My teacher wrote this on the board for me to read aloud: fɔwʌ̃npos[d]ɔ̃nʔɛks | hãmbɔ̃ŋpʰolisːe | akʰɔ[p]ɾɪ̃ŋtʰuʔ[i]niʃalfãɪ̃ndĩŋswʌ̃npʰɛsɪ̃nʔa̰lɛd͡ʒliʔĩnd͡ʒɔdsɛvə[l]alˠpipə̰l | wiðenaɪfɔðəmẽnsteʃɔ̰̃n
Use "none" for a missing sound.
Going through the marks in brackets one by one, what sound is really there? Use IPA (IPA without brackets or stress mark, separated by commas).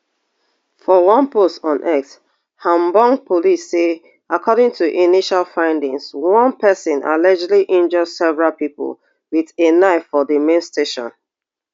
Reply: t, none, i, ɹ